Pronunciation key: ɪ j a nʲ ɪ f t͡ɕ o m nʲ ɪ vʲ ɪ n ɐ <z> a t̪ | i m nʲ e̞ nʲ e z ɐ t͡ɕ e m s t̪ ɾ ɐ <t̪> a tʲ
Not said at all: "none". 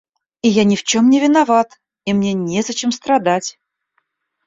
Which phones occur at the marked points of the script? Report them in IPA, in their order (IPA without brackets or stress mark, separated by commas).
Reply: v, d̪